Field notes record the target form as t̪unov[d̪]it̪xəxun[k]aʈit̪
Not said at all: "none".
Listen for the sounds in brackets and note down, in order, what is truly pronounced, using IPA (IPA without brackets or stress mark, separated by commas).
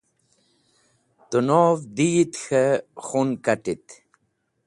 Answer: d̪, k